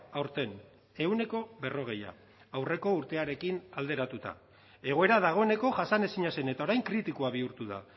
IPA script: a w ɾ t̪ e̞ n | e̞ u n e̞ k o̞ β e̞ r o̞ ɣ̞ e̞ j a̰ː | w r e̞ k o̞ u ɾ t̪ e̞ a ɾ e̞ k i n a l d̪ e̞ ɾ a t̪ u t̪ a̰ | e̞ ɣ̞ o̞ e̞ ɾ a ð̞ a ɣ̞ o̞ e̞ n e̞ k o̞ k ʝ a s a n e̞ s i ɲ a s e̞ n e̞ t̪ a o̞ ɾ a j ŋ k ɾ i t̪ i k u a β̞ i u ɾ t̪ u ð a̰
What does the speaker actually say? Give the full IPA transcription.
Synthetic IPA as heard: a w ɾ t̪ e̞ n | e̞ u n e̞ k o̞ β e̞ r o̞ ɣ̞ e̞ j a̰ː | w r e̞ k o̞ u ɾ t̪ e̞ a ɾ e̞ k i n a l d̪ e̞ ɾ a t̪ u t̪ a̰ | e̞ ɣ̞ o̞ e̞ ɾ a ð̞ a ɣ̞ o̞ e̞ n e̞ k o̞ ʝ a s a n e̞ s i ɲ a s e̞ n e̞ t̪ a o̞ ɾ a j ŋ k ɾ i t̪ i k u a β̞ i u ɾ t̪ u ð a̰